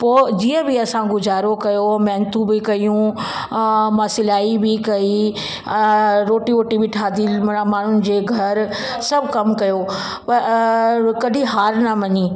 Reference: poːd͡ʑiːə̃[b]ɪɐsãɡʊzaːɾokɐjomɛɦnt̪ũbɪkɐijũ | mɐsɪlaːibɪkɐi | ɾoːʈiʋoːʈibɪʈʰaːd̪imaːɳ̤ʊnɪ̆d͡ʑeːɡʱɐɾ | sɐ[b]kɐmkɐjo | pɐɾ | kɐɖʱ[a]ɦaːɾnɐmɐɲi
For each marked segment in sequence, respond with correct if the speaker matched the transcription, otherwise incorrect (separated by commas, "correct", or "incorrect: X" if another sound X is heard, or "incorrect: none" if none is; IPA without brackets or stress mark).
correct, correct, incorrect: i